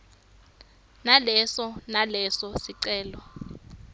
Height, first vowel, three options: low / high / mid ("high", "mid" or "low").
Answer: low